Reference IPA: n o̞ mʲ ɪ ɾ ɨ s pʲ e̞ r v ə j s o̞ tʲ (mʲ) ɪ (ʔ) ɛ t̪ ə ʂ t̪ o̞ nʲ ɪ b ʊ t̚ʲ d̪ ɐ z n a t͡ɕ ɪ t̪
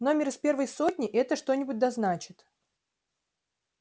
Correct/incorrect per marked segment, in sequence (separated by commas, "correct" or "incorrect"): incorrect, correct